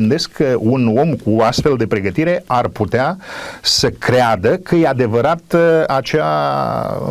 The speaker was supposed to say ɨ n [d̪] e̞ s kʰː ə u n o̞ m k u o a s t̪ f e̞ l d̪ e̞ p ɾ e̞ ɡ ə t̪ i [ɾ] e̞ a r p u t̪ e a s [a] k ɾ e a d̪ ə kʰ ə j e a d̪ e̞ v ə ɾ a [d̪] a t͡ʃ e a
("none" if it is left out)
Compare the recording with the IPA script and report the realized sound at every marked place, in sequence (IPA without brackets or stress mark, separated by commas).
d̪, ɾ, ə, t̪